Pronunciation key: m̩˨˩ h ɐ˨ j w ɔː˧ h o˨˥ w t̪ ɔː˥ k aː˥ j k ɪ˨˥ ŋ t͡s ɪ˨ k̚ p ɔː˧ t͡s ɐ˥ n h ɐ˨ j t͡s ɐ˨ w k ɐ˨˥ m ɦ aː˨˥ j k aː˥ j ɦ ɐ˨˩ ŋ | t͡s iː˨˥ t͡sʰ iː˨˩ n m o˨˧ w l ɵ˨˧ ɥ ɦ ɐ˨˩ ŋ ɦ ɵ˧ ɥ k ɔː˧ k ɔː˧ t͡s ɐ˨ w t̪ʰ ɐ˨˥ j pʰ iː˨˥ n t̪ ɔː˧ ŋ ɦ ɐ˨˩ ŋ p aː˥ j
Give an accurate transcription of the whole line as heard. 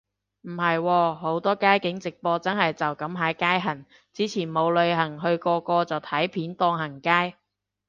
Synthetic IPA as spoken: m̩˨˩ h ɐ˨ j w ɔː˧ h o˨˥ w t̪ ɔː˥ k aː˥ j k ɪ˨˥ ŋ t͡s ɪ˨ k̚ p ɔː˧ t͡s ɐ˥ n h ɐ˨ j t͡s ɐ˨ w k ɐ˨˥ m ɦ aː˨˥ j k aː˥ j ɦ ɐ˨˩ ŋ | t͡s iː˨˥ t͡sʰ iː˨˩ n m o˨˧ w l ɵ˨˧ ɥ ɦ ɐ˨˩ ŋ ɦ ɵ˧ ɥ k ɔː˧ k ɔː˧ t͡s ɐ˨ w t̪ʰ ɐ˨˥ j pʰ iː˨˥ n t̪ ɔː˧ ŋ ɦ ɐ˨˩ ŋ k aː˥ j